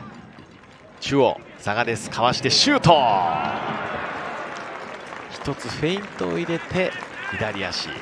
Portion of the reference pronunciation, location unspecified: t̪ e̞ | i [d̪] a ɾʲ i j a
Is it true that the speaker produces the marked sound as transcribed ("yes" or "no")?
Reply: yes